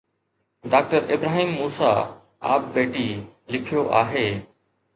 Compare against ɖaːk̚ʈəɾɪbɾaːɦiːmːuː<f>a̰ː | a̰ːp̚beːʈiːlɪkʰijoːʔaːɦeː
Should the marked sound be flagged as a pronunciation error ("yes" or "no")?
yes